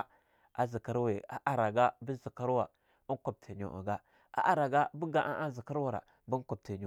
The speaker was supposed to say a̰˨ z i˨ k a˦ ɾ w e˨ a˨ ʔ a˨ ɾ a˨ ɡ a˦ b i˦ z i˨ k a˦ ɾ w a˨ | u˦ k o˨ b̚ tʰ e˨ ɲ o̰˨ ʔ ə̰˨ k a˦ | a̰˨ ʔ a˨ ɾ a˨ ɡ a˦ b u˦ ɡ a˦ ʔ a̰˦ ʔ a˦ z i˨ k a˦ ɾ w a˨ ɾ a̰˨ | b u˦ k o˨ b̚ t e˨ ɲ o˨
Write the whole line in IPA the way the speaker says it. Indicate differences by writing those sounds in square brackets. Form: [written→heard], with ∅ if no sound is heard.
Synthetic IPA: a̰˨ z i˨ k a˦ ɾ w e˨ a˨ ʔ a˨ ɾ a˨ ɡ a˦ b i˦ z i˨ k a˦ ɾ w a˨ | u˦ k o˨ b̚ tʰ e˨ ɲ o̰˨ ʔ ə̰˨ [k→ɡ] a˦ | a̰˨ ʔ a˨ ɾ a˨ ɡ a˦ b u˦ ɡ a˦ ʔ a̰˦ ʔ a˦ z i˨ k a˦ ɾ w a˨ ɾ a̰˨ | b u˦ k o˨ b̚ t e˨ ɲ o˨